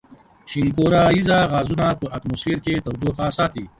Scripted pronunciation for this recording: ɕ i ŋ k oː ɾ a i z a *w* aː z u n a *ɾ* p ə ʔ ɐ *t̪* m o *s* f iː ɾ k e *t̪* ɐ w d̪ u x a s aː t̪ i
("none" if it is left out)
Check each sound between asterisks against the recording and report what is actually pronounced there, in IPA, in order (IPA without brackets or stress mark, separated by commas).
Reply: ɣ, none, t̪, s, t̪